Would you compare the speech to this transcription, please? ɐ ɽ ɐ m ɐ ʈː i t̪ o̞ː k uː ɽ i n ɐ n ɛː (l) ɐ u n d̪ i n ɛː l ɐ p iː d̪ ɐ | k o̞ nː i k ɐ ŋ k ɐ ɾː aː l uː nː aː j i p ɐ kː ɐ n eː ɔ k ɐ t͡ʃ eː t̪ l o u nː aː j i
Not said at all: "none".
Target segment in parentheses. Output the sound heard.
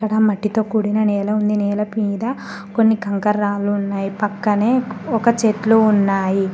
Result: l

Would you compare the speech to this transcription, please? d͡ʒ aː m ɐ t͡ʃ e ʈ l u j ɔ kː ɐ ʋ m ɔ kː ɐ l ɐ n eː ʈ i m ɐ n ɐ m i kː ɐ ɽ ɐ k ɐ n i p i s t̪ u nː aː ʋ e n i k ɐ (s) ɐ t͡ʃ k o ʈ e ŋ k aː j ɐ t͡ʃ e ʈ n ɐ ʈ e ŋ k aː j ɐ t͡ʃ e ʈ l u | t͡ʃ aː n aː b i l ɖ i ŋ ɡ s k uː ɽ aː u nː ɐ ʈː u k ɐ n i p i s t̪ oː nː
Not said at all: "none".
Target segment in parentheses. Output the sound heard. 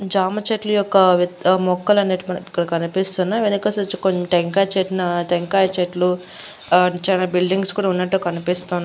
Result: s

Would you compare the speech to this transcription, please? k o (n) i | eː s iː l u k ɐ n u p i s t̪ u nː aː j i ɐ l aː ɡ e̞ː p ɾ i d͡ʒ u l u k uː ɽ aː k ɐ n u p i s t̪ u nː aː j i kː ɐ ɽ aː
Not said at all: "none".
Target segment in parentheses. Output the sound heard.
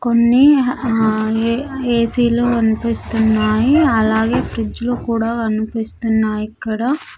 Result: nː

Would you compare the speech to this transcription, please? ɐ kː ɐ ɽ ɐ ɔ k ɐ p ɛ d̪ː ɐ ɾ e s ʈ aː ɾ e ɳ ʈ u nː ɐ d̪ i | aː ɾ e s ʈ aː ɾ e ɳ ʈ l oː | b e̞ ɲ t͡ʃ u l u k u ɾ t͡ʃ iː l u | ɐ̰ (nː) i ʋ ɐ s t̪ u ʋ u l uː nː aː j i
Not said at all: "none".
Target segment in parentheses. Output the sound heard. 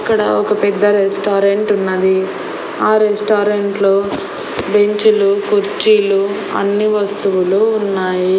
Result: nː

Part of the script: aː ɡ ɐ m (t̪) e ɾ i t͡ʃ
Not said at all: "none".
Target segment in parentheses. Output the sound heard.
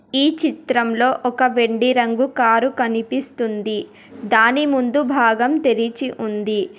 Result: t̪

